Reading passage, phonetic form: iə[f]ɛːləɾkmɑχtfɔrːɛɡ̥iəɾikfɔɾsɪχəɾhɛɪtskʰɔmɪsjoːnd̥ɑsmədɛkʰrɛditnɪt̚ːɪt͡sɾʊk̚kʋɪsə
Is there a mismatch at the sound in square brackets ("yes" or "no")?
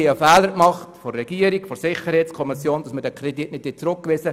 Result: no